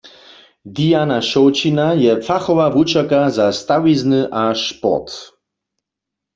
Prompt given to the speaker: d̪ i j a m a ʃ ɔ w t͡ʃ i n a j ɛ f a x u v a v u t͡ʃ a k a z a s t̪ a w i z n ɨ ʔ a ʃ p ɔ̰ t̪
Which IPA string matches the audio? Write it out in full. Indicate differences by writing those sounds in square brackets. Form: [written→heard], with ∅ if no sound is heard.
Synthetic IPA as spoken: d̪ i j a [m→n] a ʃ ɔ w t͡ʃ i n a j ɛ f a x [u→ɔ] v a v u t͡ʃ a k a z a s t̪ a w i z n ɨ ʔ a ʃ p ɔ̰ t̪